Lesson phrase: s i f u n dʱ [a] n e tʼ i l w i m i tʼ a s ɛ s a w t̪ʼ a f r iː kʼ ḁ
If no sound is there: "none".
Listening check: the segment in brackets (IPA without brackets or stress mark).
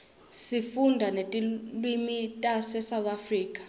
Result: a